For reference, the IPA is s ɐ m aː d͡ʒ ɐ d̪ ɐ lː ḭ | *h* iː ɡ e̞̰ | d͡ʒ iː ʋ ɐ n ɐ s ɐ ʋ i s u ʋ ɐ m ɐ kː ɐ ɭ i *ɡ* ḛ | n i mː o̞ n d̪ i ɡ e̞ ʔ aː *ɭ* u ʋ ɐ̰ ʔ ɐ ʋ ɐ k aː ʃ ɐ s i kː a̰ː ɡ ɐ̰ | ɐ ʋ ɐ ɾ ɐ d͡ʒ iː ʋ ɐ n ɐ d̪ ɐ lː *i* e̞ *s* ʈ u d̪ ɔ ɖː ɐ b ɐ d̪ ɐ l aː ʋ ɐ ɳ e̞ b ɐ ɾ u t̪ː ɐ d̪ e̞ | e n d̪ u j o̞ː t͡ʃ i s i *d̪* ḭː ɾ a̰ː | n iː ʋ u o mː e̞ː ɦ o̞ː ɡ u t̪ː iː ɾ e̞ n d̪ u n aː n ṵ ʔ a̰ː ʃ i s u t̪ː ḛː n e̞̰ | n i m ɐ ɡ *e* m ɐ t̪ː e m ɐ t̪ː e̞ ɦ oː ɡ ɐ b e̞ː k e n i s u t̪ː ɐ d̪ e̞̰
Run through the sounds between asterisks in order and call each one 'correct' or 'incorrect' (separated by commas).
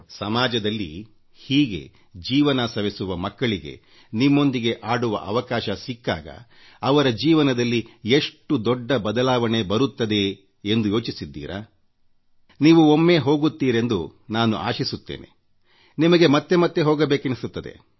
correct, correct, incorrect, correct, incorrect, incorrect, correct